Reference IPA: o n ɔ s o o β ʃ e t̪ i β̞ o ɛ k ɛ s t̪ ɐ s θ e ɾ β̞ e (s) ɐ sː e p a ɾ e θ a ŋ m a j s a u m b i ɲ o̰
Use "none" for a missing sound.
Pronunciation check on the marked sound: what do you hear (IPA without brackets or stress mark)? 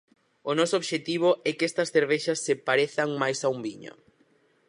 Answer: ʃ